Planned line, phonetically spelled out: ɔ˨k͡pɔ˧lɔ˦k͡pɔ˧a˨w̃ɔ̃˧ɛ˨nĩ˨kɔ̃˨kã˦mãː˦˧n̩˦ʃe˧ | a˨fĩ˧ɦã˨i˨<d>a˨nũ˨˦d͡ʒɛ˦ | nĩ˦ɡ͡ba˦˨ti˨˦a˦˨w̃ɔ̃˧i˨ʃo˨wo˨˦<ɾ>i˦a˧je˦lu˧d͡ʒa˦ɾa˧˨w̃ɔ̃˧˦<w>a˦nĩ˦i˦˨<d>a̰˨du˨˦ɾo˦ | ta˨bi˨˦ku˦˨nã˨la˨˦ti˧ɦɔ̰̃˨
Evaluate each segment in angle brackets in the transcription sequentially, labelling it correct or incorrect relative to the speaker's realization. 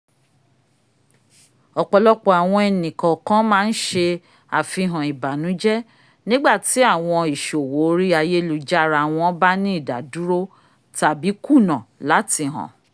incorrect: b, correct, incorrect: b, correct

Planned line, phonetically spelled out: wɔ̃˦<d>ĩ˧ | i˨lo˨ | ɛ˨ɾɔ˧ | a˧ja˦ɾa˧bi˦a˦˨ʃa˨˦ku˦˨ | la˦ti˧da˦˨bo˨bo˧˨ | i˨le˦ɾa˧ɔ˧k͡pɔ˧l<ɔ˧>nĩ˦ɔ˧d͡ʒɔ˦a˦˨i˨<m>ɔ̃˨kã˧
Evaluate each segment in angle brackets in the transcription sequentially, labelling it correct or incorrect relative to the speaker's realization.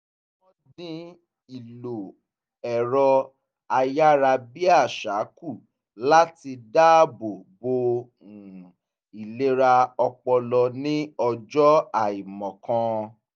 correct, correct, correct

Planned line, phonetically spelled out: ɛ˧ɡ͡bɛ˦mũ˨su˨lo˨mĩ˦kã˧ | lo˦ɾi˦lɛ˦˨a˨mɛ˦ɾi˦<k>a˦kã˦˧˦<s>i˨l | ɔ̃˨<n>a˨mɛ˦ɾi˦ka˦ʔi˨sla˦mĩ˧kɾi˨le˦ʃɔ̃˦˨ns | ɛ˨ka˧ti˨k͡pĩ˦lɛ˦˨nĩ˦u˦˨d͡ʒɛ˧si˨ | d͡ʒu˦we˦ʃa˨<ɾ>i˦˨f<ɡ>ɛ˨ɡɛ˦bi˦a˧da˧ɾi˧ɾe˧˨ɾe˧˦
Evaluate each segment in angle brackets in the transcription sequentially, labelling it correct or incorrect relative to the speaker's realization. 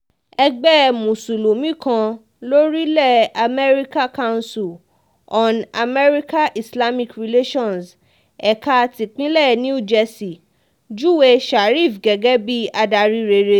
correct, correct, correct, correct, correct

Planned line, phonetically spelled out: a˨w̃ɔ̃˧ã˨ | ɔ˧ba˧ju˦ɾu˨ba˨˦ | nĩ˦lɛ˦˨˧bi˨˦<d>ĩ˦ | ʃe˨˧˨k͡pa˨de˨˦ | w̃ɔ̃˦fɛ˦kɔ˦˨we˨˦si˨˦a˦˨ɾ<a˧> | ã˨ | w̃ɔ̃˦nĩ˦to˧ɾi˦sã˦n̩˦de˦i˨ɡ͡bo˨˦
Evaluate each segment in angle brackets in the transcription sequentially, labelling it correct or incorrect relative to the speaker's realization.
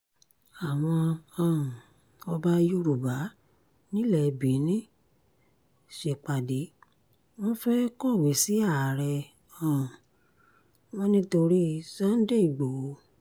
incorrect: n, incorrect: ɛ˧

